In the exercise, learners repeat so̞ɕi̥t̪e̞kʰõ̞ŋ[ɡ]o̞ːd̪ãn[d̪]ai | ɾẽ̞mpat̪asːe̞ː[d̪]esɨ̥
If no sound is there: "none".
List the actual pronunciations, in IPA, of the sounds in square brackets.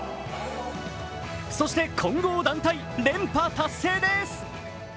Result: ɡ, t̪, d̪

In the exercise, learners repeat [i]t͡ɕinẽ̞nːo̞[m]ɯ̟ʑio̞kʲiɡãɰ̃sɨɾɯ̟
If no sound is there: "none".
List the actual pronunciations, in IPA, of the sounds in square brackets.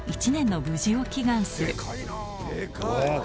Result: i, b

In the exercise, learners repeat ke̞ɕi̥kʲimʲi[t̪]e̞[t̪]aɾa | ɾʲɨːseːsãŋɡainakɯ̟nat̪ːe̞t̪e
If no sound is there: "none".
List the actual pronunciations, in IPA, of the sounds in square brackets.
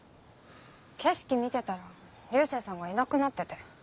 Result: t̪, t̪

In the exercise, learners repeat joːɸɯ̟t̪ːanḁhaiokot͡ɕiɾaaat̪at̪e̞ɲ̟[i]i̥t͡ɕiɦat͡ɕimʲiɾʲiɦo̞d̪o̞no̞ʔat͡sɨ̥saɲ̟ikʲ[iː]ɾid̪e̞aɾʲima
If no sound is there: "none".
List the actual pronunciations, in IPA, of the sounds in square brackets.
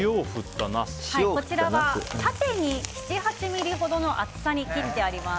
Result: i, i

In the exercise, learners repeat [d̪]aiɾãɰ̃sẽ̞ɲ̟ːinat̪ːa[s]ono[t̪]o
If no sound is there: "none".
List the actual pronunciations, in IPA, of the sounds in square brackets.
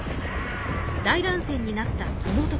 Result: d̪, s, t̪

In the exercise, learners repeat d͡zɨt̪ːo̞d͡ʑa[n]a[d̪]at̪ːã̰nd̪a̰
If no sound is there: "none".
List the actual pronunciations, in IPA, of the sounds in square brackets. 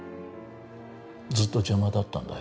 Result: m, d̪

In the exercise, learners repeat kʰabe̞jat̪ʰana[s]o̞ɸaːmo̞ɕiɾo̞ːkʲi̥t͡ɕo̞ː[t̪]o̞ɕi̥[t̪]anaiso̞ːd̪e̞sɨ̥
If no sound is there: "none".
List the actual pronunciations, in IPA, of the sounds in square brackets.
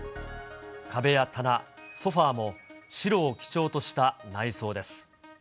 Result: s, t̪, t̪

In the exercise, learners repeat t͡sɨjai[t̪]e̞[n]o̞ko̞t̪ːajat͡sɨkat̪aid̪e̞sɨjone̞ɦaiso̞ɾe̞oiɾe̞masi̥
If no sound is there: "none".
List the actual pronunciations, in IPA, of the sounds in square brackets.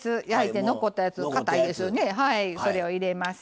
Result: t̪, n

